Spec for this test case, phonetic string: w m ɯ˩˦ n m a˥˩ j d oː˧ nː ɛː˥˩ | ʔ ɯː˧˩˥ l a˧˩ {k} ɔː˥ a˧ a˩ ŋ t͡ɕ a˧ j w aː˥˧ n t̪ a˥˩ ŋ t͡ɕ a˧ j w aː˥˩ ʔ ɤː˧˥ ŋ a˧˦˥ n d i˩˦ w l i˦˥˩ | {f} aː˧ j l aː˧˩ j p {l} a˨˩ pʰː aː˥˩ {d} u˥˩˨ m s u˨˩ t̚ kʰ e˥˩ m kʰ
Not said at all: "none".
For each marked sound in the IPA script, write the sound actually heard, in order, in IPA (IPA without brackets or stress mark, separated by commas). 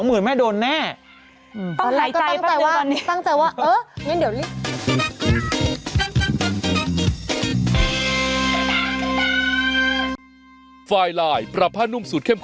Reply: k, f, ɾ, n